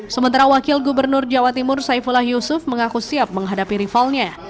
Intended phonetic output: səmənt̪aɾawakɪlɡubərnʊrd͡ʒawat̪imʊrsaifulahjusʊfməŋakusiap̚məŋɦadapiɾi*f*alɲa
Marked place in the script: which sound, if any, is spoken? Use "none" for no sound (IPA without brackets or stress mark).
f